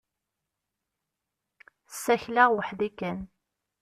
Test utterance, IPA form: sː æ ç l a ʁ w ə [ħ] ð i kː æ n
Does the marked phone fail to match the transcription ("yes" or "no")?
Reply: no